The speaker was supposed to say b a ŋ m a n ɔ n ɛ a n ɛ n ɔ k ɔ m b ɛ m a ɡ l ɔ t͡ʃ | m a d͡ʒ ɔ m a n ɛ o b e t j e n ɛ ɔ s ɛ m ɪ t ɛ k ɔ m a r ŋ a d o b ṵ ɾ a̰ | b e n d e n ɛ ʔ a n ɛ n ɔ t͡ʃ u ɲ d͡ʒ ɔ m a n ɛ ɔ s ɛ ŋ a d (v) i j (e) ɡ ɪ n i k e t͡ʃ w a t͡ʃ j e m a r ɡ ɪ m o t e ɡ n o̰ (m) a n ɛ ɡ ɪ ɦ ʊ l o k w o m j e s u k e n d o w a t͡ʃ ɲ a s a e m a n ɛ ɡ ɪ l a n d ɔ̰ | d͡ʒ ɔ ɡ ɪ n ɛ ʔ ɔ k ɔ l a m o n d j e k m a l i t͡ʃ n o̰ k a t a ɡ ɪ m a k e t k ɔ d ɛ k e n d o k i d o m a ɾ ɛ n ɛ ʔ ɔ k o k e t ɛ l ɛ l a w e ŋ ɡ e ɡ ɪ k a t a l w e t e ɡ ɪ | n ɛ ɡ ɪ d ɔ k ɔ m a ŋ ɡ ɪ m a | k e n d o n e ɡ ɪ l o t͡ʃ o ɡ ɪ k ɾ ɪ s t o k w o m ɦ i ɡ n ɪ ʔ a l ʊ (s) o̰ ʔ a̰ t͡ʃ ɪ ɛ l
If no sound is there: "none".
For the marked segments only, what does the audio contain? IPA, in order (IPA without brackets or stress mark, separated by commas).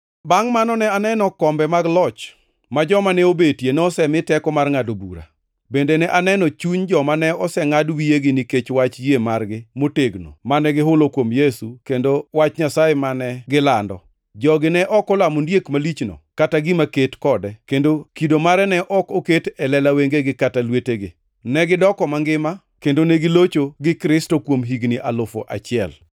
w, e, m, f